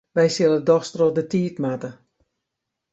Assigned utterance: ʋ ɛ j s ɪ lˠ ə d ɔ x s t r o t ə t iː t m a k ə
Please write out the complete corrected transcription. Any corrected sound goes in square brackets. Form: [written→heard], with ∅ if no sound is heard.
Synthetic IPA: ʋ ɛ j s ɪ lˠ ə d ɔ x s t r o [t→d] ə t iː t m a [k→t] ə